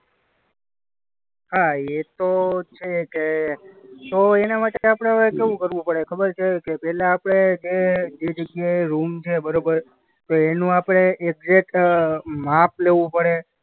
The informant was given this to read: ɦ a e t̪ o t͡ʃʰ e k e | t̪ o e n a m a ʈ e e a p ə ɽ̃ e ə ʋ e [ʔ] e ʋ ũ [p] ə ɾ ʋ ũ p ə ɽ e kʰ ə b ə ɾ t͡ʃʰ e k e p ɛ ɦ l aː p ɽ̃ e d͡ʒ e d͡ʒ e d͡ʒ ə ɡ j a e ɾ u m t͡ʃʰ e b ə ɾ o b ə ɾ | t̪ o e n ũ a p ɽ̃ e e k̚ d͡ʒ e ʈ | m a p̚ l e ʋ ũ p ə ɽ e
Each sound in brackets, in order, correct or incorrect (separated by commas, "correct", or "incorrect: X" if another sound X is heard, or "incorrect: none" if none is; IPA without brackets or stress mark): incorrect: k, incorrect: k